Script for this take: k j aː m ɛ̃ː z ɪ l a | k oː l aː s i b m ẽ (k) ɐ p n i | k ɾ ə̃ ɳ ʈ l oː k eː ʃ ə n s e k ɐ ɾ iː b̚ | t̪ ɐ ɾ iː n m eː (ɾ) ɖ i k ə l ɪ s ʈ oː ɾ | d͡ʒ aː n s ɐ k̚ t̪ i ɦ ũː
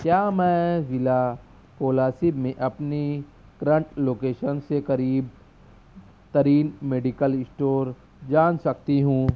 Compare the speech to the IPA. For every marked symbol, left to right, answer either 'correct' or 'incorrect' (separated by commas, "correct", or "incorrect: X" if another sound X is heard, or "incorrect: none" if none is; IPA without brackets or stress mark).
incorrect: ʔ, incorrect: none